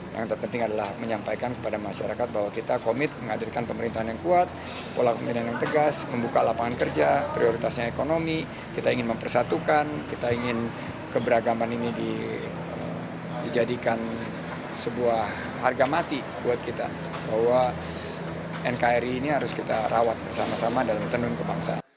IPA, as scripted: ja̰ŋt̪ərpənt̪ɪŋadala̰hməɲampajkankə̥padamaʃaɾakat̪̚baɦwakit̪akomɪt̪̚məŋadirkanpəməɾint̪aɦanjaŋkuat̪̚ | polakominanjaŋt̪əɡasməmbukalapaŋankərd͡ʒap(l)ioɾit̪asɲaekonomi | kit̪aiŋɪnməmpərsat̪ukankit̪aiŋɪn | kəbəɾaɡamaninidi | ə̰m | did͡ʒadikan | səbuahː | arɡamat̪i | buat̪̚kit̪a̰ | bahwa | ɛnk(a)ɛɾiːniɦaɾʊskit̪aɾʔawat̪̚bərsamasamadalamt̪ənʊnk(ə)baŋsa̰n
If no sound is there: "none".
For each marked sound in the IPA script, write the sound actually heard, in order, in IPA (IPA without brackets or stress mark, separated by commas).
ɾ, a, ə